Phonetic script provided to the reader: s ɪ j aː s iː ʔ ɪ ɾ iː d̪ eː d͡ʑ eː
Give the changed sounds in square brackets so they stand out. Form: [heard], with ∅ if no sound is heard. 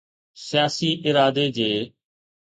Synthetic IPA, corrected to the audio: s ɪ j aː s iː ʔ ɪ ɾ [aː] d̪ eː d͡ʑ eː